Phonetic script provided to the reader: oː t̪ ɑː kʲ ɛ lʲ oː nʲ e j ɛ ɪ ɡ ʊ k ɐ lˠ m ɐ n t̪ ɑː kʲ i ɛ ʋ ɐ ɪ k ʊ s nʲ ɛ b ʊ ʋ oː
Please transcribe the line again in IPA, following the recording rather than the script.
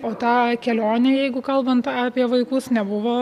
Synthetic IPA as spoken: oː t̪ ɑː kʲ ɛ lʲ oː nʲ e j ɛ ɪ ɡ ʊ k ɐ lˠ b ɐ n t̪ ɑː pʲ i ɛ ʋ ɐ ɪ k ʊ s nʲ ɛ b ʊ ʋ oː